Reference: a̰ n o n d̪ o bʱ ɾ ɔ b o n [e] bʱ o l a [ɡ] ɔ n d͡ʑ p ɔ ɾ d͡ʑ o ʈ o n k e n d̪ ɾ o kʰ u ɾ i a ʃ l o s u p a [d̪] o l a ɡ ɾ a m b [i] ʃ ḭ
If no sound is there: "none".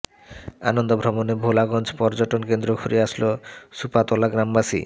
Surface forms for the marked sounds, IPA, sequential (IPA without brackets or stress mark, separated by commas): e, ɡ, t̪, a